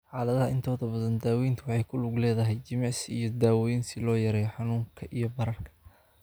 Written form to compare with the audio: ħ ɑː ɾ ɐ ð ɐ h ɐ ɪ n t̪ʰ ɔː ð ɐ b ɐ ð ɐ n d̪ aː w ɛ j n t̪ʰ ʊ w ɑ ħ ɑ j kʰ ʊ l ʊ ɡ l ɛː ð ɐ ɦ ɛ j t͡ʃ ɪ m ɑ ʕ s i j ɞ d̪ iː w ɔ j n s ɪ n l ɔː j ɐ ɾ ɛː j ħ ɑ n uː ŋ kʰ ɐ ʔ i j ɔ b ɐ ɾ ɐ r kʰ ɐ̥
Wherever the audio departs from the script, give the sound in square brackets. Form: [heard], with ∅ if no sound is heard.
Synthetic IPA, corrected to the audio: ħ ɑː [l] ɐ ð ɐ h ɐ ɪ n t̪ʰ ɔː ð ɐ b ɐ ð ɐ n d̪ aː w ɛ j n t̪ʰ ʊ w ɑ ħ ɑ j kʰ ʊ l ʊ ɡ l ɛː ð ɐ ɦ ɛ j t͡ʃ ɪ m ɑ ʕ s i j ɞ d̪ [aː] w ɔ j n s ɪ [∅] l ɔː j ɐ ɾ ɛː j ħ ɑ n uː ŋ kʰ ɐ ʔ i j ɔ b ɐ ɾ ɐ r kʰ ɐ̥